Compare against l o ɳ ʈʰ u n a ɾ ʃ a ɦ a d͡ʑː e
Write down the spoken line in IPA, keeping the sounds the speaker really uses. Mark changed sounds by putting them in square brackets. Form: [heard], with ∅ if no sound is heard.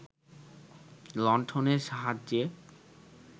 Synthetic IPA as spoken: l [ɔ] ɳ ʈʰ [o] n [e] ɾ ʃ a ɦ a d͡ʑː e